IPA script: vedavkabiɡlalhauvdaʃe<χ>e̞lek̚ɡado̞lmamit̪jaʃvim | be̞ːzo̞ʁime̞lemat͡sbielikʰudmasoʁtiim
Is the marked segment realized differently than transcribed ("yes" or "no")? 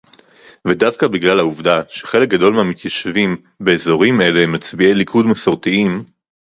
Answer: no